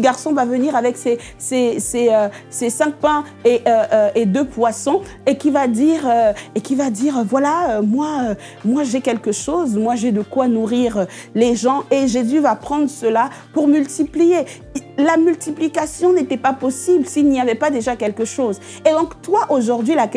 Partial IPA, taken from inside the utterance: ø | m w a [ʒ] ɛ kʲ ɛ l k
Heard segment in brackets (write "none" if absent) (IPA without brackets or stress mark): ʒ